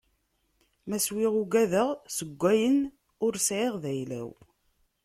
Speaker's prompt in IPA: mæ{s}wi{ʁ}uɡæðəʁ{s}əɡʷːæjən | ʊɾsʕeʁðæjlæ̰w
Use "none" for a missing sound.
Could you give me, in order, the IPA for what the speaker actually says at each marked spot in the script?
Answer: s, ʁ, s

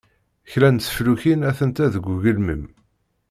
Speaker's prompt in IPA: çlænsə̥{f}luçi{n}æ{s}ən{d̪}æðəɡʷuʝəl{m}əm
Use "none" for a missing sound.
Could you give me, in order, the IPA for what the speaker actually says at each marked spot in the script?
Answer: f, n, θ, t̪, m

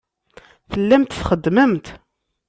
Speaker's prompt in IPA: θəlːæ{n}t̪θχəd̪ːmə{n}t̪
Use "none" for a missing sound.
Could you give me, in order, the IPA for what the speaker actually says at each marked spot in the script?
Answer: m, m

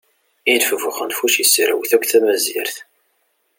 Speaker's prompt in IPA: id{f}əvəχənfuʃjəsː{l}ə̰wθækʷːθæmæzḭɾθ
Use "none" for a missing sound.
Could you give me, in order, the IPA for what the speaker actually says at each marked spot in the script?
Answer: f, ɾ

